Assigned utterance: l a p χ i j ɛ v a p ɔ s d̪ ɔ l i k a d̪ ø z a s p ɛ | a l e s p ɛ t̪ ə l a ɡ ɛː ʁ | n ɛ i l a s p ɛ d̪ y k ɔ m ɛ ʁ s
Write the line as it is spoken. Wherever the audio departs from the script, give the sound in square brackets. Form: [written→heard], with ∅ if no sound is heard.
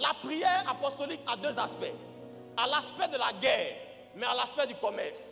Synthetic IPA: l a p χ i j ɛ [v→ʁ] a p ɔ s [d̪→t̪] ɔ l i k a d̪ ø z a s p ɛ | a l [e→a] s p ɛ [t̪→d̪] ə l a ɡ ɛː ʁ | [n→m] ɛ [i→a] l a s p ɛ d̪ y k ɔ m ɛ ʁ s